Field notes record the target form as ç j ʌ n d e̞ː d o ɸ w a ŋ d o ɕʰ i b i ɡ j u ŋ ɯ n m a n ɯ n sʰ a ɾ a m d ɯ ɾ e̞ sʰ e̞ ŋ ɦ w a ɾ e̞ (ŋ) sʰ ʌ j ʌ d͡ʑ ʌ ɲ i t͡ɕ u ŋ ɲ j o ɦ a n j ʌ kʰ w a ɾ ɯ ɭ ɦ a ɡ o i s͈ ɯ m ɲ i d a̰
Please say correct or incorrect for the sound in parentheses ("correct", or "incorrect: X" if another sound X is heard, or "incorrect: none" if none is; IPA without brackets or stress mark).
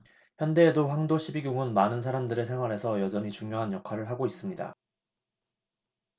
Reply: incorrect: none